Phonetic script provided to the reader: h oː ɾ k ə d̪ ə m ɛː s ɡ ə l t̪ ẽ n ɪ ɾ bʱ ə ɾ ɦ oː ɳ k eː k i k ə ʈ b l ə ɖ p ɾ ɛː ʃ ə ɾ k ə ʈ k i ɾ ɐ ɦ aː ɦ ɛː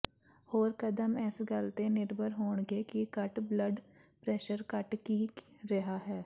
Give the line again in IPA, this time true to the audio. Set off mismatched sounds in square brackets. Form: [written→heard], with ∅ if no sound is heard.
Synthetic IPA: h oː ɾ k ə d̪ ə m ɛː s ɡ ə l t̪ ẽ n ɪ ɾ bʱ ə ɾ ɦ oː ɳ [k→ɡ] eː k i k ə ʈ b l ə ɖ p ɾ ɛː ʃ ə ɾ k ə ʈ k i ɾ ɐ ɦ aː ɦ ɛː